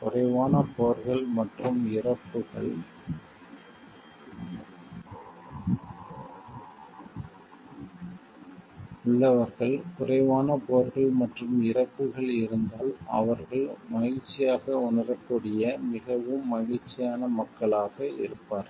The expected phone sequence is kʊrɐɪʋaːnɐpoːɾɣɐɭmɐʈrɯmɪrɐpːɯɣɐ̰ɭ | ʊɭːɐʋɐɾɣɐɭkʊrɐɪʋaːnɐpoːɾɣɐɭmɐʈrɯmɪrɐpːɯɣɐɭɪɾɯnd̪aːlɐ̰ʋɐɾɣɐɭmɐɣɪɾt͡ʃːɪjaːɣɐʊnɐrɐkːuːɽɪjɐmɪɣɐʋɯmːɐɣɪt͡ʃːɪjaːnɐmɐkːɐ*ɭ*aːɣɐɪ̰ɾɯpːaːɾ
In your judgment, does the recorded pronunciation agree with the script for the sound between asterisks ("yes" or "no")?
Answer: yes